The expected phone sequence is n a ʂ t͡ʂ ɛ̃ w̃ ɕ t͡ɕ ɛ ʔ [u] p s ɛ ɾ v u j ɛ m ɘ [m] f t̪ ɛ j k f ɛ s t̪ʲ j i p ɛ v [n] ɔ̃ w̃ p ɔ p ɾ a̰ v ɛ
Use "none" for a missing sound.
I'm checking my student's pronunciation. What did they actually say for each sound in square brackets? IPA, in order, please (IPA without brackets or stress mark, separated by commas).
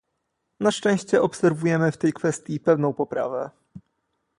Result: ɔ, none, n